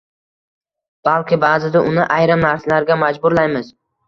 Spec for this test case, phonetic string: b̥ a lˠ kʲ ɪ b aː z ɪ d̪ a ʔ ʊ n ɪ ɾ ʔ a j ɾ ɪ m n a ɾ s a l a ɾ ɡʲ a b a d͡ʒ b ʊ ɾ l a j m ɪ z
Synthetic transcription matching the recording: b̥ a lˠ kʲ ɪ b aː z ɪ d̪ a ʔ ʊ n ɪ ʔ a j ɾ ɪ m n a ɾ s a l a ɾ ɡʲ a m a d͡ʒ b ʊ ɾ l a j m ɪ z